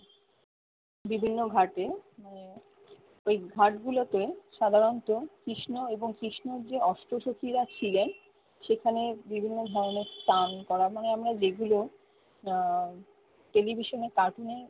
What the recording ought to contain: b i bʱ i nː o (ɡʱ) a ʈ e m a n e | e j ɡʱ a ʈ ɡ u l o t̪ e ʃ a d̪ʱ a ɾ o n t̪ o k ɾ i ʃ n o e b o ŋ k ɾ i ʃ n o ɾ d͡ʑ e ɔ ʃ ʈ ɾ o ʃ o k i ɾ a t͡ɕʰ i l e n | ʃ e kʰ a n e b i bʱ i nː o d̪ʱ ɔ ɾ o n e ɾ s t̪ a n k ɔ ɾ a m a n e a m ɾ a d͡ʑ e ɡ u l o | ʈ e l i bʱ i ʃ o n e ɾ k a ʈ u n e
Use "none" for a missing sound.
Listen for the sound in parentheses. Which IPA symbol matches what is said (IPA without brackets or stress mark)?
ɡʱ